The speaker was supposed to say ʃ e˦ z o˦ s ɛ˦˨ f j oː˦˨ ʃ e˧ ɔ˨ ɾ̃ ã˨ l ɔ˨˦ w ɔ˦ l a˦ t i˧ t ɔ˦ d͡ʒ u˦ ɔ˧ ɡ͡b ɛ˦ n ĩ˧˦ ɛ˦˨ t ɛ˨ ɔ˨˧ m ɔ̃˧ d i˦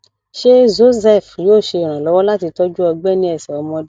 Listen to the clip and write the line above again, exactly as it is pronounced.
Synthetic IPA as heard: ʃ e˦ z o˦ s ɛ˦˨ f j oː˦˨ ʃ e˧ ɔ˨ ɾ̃ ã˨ l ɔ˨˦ w ɔ˦ l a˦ t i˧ t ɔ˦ d͡ʒ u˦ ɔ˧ ɡ͡b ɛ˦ n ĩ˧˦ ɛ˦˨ s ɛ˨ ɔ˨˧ m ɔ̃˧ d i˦